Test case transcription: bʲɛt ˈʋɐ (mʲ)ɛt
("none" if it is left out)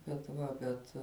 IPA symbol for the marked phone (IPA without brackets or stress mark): bʲ